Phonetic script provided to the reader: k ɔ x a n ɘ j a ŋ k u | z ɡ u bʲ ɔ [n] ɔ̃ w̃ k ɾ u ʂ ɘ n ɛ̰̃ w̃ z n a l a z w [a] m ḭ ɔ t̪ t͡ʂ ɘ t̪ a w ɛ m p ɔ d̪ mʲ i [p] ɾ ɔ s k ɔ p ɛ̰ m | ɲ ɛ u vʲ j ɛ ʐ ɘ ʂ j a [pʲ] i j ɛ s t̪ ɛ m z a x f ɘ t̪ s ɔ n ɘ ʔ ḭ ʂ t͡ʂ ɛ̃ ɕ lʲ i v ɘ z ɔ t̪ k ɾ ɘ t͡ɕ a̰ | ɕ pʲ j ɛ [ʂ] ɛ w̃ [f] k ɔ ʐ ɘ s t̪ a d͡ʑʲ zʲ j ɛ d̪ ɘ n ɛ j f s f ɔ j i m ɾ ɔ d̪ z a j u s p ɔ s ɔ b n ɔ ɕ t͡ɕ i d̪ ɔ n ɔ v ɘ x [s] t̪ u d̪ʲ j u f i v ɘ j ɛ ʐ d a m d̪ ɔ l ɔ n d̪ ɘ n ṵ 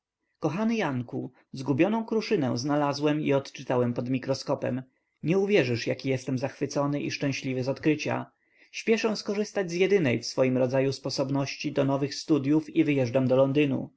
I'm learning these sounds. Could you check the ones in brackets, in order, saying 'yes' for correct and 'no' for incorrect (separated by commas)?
yes, no, no, no, yes, no, yes